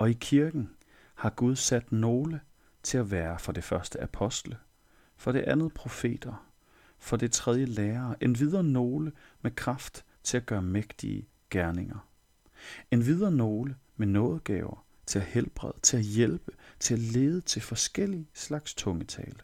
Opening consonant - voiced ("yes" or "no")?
no